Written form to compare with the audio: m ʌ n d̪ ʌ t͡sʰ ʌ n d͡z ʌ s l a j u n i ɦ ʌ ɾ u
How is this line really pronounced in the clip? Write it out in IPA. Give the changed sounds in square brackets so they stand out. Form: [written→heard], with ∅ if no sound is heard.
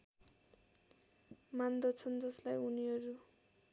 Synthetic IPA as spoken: m [ʌ→a] n d̪ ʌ t͡sʰ ʌ n d͡z ʌ s l a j u n i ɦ ʌ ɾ u